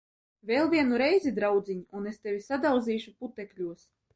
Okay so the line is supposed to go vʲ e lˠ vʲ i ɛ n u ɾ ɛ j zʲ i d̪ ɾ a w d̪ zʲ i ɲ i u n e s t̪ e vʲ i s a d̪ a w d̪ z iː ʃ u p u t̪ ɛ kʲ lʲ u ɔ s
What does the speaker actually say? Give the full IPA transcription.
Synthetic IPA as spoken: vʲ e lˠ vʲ i ɛ n u ɾ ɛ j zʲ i d̪ ɾ a w d̪ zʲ i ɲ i u n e s t̪ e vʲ i s a d̪ a w d̪ z iː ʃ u p u t̪ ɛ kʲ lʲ u ɔ s